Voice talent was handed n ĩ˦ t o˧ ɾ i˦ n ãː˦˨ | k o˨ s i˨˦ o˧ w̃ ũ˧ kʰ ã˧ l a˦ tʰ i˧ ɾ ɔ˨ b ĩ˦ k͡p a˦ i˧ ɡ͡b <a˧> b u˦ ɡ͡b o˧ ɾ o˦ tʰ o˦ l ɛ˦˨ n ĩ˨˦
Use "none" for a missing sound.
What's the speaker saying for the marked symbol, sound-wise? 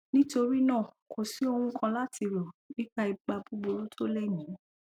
a˧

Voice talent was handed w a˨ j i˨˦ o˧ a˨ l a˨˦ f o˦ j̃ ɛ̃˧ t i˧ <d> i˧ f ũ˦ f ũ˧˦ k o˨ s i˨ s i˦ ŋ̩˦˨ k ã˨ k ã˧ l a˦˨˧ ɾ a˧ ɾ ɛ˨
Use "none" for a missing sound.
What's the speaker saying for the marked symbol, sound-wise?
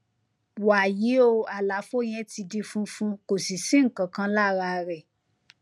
d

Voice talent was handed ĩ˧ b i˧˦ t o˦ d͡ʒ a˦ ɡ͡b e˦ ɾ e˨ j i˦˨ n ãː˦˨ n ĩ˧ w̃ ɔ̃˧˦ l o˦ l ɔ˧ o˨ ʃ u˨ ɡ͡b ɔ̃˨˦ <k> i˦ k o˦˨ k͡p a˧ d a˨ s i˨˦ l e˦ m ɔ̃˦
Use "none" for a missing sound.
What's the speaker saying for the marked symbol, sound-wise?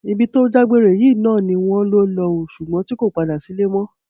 t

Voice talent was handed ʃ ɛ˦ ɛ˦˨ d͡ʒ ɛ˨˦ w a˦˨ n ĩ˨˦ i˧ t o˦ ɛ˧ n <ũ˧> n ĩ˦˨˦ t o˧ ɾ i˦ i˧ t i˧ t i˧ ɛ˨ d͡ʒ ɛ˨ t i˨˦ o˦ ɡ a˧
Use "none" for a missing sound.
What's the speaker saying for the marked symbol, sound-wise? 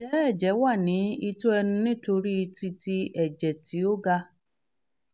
ũ˧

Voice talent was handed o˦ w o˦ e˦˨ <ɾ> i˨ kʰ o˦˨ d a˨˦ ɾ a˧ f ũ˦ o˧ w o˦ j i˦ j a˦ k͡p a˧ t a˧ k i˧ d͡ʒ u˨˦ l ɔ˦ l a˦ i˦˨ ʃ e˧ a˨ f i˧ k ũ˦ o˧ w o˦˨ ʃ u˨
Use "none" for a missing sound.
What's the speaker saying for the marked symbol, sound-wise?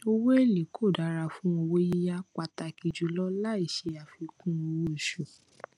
l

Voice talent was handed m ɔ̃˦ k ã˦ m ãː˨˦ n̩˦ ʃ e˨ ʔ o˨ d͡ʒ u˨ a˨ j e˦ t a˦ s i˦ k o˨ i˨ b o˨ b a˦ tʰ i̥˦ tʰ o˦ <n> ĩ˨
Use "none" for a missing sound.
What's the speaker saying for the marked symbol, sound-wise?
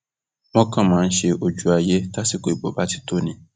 n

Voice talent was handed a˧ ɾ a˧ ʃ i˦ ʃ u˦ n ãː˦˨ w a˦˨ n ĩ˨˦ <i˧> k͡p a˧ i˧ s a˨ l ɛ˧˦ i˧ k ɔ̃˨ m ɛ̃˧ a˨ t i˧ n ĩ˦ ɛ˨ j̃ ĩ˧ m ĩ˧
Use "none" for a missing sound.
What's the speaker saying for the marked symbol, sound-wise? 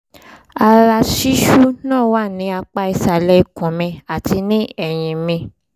a˧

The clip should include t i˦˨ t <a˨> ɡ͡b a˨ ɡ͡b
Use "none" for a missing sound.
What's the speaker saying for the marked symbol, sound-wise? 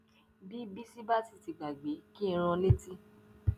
i˨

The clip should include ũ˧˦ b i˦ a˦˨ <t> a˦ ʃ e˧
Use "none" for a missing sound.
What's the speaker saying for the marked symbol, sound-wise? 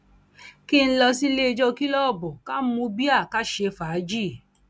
k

